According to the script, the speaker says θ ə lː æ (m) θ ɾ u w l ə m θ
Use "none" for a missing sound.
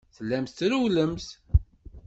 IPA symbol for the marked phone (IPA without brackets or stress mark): m